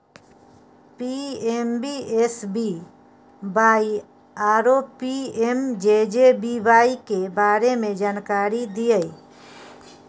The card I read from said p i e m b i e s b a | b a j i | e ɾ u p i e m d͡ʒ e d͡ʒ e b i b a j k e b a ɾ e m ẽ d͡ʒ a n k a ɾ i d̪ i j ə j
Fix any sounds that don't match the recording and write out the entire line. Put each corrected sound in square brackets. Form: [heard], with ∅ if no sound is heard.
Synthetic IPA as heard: p i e m b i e s b [i] | b a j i | [a] ɾ [o] p i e m d͡ʒ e d͡ʒ e b i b a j k e b a ɾ e m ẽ d͡ʒ a n k a ɾ i d̪ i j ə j